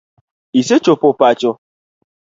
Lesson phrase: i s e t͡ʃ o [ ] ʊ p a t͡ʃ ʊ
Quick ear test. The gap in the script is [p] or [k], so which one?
p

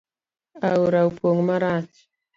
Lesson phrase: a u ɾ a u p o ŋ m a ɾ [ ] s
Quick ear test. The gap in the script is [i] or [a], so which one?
a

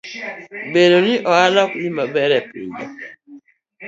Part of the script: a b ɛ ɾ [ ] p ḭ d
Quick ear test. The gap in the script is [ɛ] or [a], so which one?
ɛ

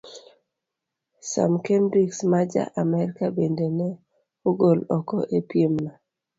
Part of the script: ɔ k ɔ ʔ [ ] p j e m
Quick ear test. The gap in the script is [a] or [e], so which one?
e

